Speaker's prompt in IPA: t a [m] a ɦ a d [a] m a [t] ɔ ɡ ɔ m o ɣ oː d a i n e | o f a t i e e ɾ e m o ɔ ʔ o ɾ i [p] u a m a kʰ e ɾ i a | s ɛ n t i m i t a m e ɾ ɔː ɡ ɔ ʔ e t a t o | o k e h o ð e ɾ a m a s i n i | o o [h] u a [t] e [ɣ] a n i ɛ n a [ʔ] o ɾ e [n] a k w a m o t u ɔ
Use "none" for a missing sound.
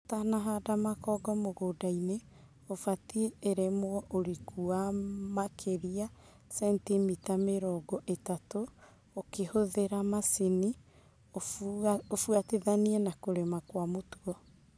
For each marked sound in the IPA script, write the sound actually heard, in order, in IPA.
n, a, k, k, f, t, ð, k, m

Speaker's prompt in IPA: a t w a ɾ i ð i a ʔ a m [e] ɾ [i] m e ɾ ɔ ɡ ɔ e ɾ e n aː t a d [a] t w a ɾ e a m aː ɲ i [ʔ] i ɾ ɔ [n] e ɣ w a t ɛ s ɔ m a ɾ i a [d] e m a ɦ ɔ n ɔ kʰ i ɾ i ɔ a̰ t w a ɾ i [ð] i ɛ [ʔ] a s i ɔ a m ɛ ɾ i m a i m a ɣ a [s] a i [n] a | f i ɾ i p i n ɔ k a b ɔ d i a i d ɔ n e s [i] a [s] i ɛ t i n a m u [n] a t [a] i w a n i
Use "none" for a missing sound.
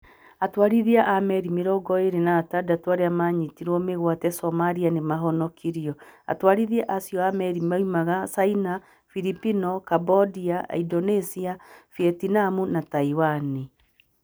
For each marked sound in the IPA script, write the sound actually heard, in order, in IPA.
ɛ, i, a, t, m, n, ð, ʔ, s, n, i, f, n, a

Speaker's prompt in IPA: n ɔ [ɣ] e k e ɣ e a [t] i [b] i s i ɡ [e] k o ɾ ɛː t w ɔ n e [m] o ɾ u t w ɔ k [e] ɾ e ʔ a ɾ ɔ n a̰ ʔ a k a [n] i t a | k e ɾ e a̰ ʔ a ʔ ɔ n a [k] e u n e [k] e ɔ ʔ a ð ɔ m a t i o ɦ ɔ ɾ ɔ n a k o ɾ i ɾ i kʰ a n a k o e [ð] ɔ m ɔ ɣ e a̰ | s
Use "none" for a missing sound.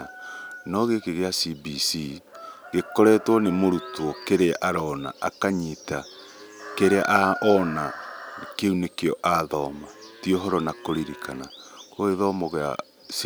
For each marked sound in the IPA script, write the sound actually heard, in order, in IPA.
ɣ, s, b, e, m, e, ɲ, k, k, ð

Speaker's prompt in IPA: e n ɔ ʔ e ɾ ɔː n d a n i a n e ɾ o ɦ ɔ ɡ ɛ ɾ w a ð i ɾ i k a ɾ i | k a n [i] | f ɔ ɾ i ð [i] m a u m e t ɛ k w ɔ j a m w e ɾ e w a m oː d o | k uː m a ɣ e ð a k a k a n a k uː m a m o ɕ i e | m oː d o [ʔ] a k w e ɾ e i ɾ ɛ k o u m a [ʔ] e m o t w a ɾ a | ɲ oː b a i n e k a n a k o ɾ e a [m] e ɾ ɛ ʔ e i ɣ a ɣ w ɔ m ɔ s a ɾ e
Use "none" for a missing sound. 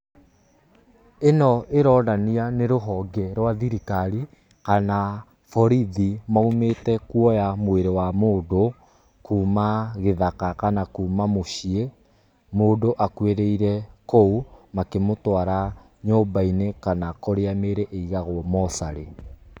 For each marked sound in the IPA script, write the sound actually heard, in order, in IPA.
a, i, ʔ, k, m

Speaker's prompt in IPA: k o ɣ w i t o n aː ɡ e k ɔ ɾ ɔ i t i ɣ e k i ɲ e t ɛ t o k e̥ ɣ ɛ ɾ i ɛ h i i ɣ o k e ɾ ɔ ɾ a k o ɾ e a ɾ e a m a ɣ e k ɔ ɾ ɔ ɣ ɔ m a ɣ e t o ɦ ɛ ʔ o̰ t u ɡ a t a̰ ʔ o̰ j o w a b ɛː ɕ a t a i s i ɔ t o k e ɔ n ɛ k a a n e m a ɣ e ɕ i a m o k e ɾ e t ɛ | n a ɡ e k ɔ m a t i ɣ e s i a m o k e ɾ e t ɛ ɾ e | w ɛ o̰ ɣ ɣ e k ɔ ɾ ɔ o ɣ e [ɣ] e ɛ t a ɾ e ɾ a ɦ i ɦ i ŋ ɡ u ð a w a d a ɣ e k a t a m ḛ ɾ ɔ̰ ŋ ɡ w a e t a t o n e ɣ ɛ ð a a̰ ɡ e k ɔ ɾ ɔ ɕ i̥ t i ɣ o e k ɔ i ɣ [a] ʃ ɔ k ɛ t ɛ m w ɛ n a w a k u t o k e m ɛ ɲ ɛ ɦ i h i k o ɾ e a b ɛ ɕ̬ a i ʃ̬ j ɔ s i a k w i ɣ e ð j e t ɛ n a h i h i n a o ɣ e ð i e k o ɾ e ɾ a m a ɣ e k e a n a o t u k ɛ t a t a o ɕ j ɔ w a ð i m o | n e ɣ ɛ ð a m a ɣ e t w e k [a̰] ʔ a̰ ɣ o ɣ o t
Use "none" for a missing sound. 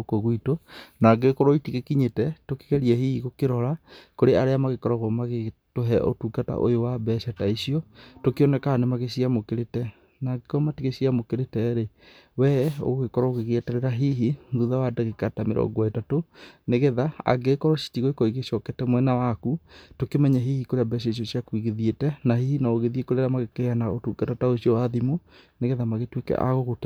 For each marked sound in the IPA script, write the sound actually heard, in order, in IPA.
ɣ, e, ɛ̰

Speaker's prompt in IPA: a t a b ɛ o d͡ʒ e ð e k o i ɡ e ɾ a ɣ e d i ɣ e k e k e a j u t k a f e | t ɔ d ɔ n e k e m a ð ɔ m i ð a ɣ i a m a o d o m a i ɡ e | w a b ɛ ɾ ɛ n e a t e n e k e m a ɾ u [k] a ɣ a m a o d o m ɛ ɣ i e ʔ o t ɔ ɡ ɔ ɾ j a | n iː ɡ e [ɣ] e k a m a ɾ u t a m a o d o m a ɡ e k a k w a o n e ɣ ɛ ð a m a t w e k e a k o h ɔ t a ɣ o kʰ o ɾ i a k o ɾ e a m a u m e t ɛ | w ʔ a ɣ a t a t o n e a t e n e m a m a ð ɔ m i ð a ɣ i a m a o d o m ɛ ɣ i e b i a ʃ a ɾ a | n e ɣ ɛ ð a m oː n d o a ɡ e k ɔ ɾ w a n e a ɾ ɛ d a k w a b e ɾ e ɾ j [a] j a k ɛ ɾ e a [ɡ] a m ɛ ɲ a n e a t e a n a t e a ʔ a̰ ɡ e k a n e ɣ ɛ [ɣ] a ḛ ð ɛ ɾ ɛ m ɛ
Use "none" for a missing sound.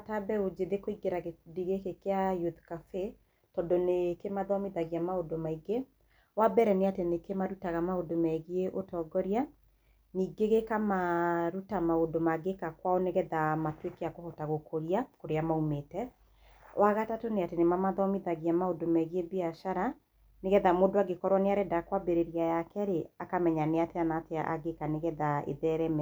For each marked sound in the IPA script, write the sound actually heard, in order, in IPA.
t, ɣ, a, k, ð

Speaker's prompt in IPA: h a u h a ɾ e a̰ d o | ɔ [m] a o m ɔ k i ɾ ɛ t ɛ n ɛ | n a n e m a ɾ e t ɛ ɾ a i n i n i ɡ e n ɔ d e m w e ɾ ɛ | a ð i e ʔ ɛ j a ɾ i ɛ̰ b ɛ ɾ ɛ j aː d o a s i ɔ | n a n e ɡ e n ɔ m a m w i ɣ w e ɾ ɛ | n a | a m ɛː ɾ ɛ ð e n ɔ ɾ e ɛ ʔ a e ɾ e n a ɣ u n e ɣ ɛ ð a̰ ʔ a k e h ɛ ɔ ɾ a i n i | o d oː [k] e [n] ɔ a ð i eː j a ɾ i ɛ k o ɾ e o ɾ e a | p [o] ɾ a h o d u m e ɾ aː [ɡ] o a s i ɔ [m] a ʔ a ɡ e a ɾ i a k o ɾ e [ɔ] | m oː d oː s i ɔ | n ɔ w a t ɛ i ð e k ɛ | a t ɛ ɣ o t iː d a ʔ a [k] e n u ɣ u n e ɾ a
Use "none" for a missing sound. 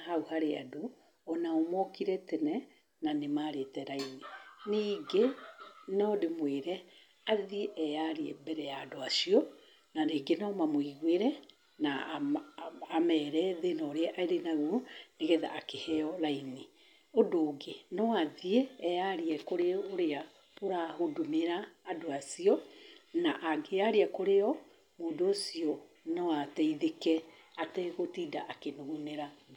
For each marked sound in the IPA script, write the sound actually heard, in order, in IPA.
n, ɡ, n, o, d, n, ɔ, k

